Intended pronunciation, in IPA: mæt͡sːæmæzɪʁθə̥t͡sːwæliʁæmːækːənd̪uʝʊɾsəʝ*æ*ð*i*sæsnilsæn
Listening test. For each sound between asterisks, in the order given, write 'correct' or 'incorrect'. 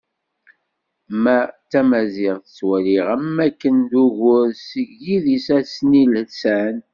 incorrect, correct

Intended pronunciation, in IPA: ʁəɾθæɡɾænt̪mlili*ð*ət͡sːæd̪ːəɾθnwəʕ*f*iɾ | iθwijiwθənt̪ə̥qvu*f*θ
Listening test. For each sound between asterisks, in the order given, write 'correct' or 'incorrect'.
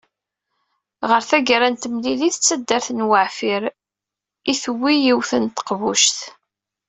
incorrect, correct, incorrect

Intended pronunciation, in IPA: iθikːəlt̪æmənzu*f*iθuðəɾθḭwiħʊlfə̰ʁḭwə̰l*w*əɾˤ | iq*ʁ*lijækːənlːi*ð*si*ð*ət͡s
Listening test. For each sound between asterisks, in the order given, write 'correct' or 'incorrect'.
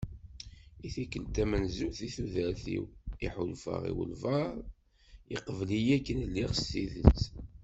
incorrect, incorrect, incorrect, incorrect, correct

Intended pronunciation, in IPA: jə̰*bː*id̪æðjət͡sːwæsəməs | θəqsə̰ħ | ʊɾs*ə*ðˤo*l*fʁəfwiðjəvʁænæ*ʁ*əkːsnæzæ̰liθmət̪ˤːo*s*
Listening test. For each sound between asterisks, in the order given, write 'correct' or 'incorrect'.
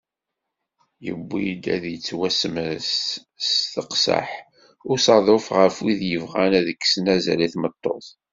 correct, incorrect, incorrect, incorrect, incorrect

